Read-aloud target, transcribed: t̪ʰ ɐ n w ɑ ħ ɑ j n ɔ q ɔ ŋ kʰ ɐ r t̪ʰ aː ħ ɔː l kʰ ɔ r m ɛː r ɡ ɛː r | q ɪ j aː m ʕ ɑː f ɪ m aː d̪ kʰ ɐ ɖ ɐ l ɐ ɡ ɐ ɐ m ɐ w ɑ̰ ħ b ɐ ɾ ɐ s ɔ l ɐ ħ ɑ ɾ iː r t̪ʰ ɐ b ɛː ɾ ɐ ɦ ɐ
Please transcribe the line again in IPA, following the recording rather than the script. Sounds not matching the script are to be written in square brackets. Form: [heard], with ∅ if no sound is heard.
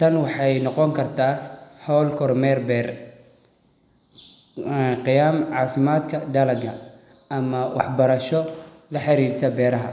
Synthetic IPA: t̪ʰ ɐ n w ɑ ħ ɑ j n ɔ q ɔ ŋ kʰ ɐ r t̪ʰ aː ħ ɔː l kʰ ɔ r m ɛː r [b] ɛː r | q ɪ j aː m ʕ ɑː f ɪ m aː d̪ kʰ ɐ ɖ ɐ l ɐ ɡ ɐ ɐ m ɐ w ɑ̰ ħ b ɐ ɾ ɐ [ʃ] ɔ l ɐ ħ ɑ ɾ iː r t̪ʰ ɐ b ɛː ɾ ɐ ɦ ɐ